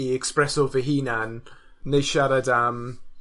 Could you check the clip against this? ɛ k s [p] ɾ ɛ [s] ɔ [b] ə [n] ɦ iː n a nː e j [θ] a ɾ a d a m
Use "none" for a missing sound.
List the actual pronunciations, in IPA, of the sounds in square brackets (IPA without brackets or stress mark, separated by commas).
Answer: p, s, v, none, ʃ